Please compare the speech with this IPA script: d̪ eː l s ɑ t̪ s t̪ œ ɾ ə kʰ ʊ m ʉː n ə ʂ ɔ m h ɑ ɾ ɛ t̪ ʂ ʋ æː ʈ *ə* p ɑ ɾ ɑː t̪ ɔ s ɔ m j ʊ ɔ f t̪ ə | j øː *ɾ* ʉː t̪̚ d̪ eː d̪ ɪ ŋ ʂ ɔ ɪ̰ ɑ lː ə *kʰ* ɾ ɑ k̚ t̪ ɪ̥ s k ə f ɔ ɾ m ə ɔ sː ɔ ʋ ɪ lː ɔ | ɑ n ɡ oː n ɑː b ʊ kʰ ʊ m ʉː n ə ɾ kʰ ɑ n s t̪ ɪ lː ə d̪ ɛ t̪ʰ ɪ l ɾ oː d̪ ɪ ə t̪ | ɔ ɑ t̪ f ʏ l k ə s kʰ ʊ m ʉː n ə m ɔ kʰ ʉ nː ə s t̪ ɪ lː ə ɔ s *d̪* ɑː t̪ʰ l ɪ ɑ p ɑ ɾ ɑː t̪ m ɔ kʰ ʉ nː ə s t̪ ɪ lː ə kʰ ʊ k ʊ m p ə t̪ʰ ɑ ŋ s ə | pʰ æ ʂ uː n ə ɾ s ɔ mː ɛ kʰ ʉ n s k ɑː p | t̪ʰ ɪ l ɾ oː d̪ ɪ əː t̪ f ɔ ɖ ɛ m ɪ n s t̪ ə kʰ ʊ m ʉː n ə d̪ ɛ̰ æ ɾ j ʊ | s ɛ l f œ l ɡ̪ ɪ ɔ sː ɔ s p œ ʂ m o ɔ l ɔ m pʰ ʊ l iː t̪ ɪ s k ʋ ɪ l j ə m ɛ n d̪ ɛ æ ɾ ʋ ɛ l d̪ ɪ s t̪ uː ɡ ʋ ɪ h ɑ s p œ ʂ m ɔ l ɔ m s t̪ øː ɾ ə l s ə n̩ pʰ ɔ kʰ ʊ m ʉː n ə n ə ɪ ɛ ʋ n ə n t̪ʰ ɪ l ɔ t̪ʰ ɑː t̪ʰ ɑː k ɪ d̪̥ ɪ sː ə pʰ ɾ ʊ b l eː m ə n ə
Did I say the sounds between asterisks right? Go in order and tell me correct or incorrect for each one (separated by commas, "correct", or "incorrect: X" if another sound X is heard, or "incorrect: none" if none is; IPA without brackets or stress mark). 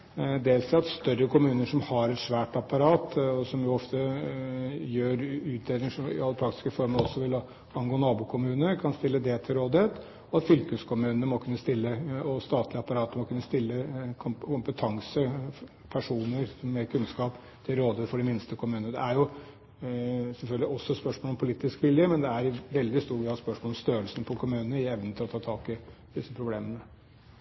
incorrect: ɑ, correct, incorrect: pʰ, incorrect: t̪